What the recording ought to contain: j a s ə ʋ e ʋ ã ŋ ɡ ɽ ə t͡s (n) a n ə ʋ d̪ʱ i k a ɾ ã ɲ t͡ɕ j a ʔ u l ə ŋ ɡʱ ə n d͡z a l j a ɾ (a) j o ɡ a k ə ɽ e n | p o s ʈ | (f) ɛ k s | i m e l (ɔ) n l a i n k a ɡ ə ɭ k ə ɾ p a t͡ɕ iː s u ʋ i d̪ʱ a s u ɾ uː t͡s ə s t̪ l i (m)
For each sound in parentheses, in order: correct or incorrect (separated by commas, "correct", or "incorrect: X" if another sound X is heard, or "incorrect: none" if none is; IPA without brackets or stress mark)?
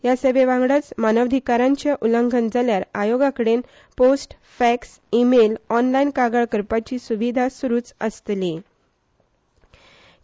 incorrect: m, correct, correct, correct, incorrect: none